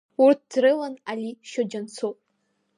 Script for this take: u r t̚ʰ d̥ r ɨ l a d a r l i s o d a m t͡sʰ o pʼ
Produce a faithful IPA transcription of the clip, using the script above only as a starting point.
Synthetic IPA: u r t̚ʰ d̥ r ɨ l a n a l i ʃ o d͡ʒ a n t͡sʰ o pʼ